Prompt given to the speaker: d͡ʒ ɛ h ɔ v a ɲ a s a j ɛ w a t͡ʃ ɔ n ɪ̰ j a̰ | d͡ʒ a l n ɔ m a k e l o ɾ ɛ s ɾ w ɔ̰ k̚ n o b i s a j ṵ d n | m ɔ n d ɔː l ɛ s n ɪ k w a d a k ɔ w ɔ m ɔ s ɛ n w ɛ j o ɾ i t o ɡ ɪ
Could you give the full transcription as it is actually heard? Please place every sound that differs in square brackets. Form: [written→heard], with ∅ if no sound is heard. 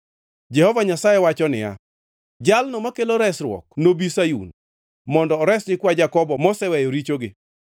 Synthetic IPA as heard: d͡ʒ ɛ h ɔ v a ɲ a s a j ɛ w a t͡ʃ ɔ n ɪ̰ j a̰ | d͡ʒ a l n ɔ m a k e l o ɾ ɛ s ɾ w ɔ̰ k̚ n o b i s a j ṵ [d→∅] n | m ɔ n d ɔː [l→ɾ] ɛ s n ɪ k w a [d→d͡ʒ] a k ɔ [w→b] ɔ m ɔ s ɛ [n→∅] w ɛ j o ɾ i [t→t͡ʃ] o ɡ ɪ